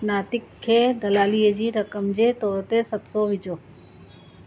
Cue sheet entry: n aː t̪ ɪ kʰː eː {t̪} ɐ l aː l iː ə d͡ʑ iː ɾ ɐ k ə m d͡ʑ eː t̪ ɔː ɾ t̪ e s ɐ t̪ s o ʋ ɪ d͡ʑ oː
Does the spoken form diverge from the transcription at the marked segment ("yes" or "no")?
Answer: yes